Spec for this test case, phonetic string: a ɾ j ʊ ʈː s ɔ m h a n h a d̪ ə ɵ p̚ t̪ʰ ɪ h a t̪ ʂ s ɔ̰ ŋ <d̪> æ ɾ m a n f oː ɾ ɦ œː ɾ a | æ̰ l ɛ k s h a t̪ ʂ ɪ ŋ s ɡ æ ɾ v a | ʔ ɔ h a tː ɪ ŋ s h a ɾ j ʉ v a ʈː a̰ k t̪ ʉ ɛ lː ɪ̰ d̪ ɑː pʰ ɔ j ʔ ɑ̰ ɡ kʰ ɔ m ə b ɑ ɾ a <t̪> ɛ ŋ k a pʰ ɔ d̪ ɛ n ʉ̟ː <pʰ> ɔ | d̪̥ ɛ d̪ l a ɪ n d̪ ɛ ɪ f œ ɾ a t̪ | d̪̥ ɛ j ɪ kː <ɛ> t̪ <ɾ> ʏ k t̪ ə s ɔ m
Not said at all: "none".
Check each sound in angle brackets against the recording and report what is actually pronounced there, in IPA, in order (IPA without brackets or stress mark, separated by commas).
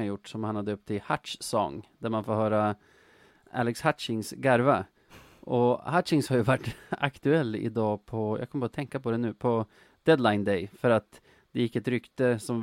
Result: d̪, t̪ʰ, pʰ, ɛ, ɾ